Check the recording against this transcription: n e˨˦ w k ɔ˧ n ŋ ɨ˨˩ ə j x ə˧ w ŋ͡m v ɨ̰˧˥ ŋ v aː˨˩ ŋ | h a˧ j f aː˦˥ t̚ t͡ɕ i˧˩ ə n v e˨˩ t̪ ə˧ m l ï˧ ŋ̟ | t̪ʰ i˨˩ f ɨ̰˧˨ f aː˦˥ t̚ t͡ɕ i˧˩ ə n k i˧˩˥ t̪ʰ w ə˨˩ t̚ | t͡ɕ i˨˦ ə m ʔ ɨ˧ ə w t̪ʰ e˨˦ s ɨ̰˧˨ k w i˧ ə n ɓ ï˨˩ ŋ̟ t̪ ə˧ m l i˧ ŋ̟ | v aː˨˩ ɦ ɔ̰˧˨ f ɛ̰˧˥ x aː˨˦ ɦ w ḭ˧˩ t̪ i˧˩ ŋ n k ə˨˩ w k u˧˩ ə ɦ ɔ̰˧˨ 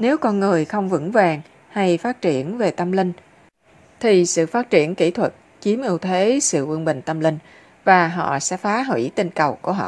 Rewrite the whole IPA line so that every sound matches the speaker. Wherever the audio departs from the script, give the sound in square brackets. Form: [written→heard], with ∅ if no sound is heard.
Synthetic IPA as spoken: n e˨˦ w k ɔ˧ n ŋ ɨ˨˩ ə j x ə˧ w ŋ͡m v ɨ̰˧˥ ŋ v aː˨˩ ŋ | h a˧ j f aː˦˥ t̚ t͡ɕ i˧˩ ə n v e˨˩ t̪ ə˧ m l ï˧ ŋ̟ | t̪ʰ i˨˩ [f→s] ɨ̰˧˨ f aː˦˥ t̚ t͡ɕ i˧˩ ə n k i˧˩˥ t̪ʰ w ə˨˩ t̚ | t͡ɕ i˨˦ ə m ʔ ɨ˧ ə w t̪ʰ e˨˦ s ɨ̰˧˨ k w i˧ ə n ɓ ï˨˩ ŋ̟ t̪ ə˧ m l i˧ ŋ̟ | v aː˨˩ ɦ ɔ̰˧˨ [f→s] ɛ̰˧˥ [x→f] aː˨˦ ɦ w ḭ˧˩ t̪ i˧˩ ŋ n k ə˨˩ w k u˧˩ ə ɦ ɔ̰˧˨